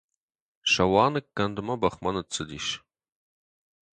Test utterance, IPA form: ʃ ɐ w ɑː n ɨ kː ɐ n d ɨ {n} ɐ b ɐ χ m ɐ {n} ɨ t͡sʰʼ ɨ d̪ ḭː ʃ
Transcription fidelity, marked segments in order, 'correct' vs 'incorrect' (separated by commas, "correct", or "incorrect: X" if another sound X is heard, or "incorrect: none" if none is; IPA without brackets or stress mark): incorrect: m, correct